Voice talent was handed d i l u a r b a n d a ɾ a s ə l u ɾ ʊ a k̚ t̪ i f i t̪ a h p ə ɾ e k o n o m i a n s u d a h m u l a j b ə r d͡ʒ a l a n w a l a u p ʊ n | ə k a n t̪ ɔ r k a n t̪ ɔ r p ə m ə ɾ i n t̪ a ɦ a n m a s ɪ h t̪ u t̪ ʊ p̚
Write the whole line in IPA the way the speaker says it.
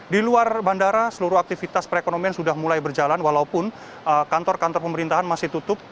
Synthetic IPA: d i l u a r b a n d a ɾ a s ə l u ɾ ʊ a k̚ t̪ i f i t̪ a s p ə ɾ e k o n o m i a n s u d a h m u l a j b ə r d͡ʒ a l a n w a l a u p ʊ n | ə k a n t̪ ɔ r k a n t̪ ɔ r p ə m ə ɾ i n t̪ a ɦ a n m a s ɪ h t̪ u t̪ ʊ p̚